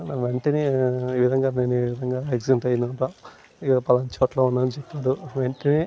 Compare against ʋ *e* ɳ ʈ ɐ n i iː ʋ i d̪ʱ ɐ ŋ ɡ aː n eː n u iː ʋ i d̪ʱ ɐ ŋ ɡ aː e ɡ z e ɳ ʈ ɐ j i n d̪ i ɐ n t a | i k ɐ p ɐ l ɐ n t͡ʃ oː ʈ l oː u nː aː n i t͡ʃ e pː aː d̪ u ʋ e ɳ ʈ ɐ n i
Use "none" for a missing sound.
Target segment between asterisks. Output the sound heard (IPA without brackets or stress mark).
e